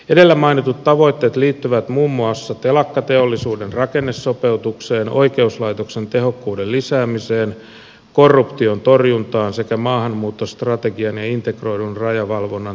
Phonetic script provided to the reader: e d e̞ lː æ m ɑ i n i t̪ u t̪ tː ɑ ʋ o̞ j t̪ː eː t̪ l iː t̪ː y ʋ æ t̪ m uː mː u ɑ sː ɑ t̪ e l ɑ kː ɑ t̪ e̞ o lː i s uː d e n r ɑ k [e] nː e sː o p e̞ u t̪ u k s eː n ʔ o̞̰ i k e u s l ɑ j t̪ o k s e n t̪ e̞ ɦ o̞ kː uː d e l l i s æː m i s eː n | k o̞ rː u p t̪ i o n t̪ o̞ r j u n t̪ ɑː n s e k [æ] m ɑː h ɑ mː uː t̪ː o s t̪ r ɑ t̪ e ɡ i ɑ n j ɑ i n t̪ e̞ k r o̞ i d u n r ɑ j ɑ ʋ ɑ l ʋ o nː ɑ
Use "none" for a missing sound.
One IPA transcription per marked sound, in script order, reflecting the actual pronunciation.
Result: e, æ

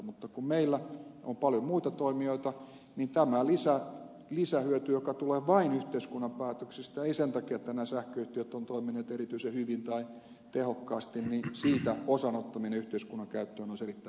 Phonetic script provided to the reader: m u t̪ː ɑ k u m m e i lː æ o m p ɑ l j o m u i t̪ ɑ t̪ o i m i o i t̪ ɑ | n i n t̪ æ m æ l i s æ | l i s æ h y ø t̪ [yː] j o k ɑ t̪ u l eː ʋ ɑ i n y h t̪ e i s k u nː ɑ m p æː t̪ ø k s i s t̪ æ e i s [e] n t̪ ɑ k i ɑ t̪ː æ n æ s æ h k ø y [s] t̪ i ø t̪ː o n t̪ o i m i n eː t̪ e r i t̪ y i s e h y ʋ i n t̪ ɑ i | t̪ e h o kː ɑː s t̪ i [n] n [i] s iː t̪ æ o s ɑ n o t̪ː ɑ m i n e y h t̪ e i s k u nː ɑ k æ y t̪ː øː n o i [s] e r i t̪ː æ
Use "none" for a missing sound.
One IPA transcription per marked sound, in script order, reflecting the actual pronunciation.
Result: y, e, h, n, i, s

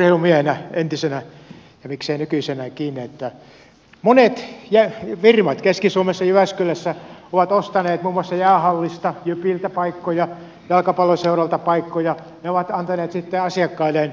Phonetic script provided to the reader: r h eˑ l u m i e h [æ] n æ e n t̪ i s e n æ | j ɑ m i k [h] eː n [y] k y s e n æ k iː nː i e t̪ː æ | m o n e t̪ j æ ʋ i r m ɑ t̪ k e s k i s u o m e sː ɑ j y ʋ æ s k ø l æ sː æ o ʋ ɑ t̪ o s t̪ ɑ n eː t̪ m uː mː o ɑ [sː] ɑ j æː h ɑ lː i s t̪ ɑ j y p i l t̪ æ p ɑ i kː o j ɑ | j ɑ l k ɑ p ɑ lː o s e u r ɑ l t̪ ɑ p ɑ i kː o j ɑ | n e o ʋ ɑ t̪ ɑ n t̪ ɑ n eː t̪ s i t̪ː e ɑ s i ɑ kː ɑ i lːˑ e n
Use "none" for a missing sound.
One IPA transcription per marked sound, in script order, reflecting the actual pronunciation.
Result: e, s, y, sː

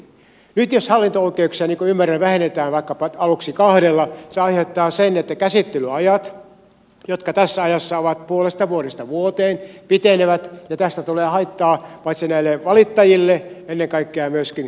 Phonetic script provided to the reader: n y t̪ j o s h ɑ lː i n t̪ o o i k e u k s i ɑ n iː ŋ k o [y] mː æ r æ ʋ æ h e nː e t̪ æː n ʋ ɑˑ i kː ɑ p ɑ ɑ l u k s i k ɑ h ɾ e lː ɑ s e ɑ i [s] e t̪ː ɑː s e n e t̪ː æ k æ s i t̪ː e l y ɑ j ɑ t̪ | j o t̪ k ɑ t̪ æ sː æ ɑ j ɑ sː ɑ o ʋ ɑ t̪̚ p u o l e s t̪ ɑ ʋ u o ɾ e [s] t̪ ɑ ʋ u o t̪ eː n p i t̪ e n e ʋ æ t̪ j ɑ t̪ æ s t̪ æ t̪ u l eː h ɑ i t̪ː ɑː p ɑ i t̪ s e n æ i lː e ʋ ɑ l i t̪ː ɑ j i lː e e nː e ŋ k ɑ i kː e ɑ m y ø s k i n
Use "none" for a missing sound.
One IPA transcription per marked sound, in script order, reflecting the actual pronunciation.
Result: y, h, s

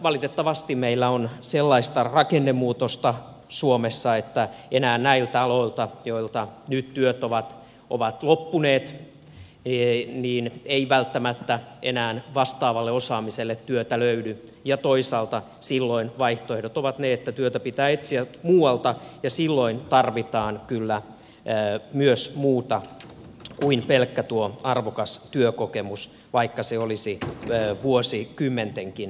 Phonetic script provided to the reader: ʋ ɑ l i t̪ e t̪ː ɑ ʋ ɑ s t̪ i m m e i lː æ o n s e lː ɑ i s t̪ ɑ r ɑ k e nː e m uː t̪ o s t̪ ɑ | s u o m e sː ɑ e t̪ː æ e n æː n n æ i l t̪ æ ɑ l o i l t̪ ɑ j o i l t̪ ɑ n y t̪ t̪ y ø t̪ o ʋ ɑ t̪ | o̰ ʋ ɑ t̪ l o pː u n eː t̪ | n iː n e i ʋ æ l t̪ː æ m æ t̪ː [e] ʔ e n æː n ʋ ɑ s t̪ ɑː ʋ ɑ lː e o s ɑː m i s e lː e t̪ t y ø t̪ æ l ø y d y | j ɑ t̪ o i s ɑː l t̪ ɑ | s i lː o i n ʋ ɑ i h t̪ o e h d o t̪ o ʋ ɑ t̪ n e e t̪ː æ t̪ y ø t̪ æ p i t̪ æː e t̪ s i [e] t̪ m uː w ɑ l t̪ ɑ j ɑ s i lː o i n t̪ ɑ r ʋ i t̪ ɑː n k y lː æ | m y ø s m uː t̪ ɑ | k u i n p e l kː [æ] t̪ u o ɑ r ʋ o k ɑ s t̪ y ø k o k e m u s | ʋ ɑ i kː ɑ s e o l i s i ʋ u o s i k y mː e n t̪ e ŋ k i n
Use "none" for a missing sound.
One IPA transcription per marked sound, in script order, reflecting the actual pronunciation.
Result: æ, æ, æ

